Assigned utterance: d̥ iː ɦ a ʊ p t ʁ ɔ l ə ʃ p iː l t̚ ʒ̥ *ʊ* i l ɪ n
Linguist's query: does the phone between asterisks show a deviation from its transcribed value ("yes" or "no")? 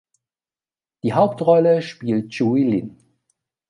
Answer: yes